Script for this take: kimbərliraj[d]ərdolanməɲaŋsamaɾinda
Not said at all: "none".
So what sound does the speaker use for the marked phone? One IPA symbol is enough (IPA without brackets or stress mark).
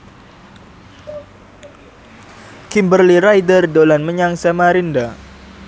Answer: d